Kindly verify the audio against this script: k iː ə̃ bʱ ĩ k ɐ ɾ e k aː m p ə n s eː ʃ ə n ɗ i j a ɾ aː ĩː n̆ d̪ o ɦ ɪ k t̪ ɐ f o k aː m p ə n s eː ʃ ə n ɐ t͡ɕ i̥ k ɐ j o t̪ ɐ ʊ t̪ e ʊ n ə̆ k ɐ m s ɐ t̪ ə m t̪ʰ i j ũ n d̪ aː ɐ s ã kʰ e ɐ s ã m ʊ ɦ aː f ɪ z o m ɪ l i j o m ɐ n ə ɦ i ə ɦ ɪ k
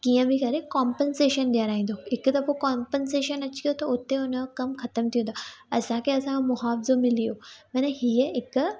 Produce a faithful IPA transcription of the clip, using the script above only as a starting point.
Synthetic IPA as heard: k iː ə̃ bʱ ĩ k ɐ ɾ e k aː m p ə n s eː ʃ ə n ɗ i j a ɾ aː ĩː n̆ d̪ o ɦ ɪ k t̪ ɐ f o k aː m p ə n s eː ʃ ə n ɐ t͡ɕ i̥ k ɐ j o t̪ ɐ ʊ t̪ e ʊ n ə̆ k ɐ m x ɐ t̪ ə m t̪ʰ i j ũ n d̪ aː ɐ s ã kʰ e ɐ s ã m ʊ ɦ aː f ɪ z o m ɪ l i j o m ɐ n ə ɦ i ə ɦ ɪ k